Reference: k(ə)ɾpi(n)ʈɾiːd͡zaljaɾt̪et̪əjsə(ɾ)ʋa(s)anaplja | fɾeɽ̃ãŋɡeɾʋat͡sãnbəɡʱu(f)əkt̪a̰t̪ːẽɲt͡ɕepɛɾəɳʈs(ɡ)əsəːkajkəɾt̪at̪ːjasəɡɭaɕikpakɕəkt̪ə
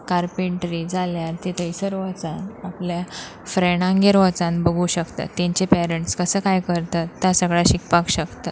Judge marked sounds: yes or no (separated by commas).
no, no, yes, no, no, no